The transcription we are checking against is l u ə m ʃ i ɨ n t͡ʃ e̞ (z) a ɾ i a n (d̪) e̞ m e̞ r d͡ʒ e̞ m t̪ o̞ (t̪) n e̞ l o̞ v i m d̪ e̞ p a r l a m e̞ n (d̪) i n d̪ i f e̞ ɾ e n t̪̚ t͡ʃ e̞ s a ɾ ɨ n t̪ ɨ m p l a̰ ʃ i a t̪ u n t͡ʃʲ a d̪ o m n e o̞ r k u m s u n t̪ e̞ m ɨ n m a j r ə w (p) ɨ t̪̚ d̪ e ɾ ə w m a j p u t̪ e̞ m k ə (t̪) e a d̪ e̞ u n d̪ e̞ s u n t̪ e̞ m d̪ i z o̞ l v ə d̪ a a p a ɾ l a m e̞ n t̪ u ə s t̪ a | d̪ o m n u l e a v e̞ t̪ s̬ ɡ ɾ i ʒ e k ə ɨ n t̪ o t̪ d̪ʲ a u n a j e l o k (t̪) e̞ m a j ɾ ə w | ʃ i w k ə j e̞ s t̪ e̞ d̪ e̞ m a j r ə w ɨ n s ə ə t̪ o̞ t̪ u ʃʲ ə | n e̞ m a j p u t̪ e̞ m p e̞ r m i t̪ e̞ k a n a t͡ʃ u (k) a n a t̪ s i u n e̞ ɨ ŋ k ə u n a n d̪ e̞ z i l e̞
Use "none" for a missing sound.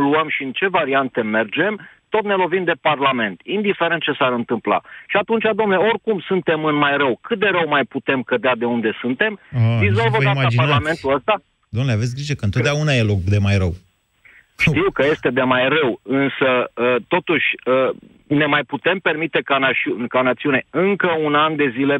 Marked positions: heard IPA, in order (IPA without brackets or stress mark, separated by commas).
v, t̪, t̪, t̪, k, d̪, d̪, k